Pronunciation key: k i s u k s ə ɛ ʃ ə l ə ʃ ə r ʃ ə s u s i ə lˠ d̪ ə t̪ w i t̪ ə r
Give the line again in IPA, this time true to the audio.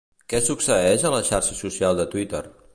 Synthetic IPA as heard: k ɛ s u k s ə ɛ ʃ ə l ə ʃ a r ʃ ə s u s i a lˠ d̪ ə t̪ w i t̪ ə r